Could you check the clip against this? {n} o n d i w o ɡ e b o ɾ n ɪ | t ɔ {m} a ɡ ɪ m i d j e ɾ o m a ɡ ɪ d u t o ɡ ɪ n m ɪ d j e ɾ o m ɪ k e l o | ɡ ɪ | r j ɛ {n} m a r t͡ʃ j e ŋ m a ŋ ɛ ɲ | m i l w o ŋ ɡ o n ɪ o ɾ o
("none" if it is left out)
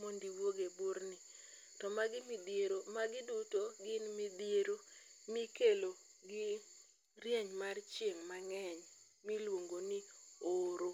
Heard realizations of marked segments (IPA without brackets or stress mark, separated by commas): m, m, ɲ